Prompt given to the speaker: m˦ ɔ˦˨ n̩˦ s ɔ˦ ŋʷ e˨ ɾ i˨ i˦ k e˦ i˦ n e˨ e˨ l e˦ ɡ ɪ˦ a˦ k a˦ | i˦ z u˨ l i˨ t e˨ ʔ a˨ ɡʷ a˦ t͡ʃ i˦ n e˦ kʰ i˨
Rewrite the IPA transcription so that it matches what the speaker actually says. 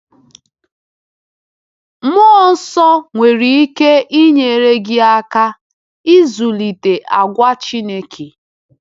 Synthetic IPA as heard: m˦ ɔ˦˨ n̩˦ s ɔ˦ ŋʷ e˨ ɾ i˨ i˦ k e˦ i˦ ɲ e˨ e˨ ɾ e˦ ɡ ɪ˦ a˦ k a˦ | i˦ z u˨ l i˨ t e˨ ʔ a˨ ɡʷ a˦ t͡ʃ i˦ n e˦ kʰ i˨

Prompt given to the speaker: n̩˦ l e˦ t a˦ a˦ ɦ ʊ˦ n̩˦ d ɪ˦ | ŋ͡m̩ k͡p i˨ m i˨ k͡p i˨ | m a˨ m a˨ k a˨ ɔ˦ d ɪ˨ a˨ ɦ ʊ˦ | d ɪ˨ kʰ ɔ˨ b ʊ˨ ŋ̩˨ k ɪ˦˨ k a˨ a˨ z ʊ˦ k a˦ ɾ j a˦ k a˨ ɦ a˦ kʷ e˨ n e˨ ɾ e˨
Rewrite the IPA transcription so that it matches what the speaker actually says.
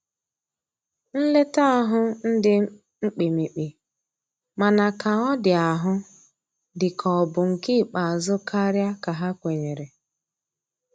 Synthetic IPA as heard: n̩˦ l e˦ t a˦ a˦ ɦ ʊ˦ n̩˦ d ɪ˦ | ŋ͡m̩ k͡p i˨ m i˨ k͡p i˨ | m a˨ n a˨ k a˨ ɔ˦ d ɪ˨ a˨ ɦ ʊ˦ | d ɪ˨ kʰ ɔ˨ b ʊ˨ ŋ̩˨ k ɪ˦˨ k͡p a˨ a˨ z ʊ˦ k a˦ ɾ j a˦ k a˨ ɦ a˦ kʷ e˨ ɲ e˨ ɾ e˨

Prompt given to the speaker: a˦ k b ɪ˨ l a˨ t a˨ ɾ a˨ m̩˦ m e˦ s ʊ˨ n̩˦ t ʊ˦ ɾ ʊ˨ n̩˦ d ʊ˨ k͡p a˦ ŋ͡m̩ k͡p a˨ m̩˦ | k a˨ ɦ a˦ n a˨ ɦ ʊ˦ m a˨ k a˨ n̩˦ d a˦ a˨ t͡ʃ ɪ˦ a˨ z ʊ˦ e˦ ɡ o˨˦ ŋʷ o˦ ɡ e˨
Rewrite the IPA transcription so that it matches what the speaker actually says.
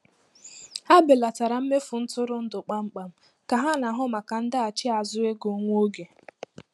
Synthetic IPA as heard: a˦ b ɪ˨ l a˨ t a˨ ɾ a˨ m̩˦ m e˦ f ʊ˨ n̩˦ t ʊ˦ ɾ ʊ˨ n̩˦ d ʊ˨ k͡p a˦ ŋ͡m̩ k͡p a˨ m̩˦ | k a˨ ɦ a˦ n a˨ ɦ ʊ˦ m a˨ k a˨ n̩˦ d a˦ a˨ t͡ʃ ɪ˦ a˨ z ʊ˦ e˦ ɡ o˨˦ ŋʷ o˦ ɡ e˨

